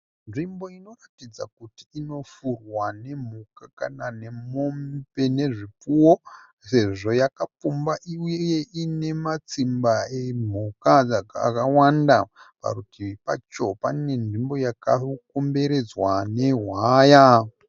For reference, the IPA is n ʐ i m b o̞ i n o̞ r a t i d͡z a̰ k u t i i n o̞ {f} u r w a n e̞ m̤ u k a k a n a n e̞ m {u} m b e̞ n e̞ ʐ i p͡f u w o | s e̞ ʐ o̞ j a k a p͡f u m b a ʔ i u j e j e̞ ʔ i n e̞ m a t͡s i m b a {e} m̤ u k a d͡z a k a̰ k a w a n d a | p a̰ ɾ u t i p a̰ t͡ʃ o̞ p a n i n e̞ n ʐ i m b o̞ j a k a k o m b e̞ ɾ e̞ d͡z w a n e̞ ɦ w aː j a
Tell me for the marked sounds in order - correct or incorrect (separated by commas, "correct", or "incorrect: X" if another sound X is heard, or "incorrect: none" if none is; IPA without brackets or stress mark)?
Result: correct, incorrect: o, correct